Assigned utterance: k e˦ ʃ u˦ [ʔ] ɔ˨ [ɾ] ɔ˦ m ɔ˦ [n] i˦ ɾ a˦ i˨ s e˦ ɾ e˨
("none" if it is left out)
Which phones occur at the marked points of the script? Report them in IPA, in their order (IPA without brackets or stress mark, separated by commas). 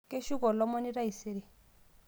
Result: k, l, n